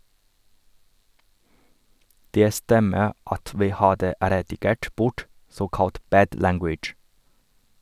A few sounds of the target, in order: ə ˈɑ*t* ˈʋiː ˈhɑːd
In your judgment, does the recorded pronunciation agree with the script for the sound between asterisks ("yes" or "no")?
yes